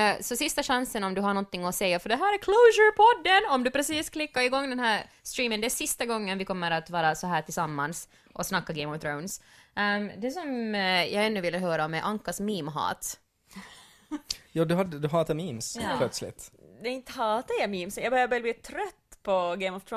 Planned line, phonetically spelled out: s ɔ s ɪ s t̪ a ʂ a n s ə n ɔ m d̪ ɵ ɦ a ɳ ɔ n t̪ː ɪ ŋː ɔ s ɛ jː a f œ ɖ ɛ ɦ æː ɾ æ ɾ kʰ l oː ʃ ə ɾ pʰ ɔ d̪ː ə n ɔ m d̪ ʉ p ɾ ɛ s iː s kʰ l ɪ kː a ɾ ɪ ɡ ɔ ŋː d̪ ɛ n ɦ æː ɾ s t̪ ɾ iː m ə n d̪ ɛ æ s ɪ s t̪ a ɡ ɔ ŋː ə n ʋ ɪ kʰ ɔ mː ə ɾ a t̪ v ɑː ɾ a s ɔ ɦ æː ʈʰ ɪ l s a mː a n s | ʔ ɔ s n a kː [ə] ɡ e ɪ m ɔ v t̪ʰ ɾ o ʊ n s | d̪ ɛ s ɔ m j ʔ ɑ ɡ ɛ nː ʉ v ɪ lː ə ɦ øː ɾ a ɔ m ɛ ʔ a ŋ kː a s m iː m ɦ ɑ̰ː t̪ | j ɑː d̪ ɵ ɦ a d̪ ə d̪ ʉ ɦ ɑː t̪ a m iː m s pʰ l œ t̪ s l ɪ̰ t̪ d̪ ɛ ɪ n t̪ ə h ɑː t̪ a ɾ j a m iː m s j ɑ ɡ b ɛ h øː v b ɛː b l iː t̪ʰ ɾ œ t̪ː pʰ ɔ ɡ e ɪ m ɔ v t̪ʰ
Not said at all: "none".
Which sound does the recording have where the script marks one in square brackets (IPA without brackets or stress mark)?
a